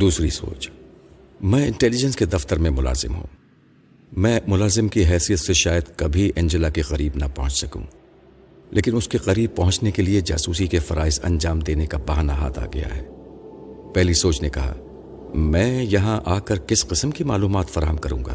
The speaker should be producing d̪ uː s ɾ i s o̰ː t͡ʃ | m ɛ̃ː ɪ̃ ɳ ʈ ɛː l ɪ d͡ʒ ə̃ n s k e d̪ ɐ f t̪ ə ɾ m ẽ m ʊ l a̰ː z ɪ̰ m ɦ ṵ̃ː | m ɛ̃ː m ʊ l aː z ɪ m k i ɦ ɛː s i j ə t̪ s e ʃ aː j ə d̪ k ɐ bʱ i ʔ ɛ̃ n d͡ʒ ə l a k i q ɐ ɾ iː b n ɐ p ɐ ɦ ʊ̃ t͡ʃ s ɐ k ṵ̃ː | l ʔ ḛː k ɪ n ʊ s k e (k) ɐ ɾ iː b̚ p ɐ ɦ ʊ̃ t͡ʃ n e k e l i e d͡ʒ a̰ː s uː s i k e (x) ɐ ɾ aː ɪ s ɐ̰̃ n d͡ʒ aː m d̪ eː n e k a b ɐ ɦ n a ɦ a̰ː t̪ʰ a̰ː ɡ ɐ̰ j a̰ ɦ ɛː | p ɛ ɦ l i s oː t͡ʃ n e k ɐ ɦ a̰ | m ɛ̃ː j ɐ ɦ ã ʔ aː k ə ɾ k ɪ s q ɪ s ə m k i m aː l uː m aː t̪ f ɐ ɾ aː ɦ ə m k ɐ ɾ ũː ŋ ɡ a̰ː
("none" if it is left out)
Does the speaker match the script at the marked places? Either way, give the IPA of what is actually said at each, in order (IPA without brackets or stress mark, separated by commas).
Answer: q, f